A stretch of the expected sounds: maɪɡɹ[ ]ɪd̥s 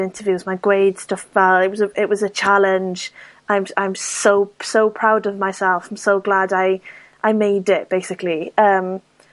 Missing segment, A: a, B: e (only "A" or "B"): B